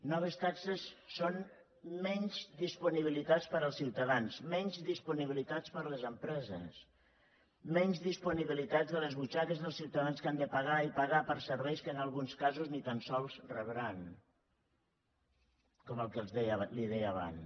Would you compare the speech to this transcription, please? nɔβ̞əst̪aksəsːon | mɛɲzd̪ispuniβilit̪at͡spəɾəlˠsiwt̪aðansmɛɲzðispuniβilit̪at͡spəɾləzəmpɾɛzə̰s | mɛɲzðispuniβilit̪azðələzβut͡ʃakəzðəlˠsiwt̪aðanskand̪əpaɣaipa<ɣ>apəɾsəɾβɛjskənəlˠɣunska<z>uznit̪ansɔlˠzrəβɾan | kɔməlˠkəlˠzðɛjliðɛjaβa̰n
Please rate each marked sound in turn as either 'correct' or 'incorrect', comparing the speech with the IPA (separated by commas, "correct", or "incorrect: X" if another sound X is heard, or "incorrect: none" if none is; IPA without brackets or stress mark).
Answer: correct, correct